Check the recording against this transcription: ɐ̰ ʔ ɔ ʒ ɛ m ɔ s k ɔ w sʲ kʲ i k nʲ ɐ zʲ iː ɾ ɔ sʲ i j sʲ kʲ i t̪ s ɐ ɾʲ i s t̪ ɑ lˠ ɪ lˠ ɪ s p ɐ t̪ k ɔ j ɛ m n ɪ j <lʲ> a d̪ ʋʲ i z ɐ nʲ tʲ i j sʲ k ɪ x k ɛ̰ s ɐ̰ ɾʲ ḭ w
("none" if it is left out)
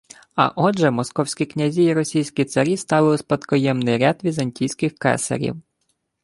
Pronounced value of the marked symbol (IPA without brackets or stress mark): ɾʲ